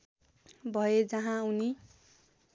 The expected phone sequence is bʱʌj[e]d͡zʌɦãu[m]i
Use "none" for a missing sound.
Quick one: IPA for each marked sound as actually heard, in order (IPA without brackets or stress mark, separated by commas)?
e, n